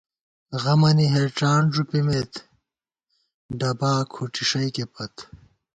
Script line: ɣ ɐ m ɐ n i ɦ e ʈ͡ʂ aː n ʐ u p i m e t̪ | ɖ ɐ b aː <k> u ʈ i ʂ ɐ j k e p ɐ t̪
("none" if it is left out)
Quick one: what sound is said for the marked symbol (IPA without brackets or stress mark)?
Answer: kʰ